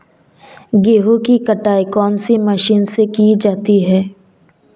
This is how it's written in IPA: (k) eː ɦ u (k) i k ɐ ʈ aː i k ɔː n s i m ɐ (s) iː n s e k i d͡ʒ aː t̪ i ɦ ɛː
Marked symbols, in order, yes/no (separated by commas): no, yes, no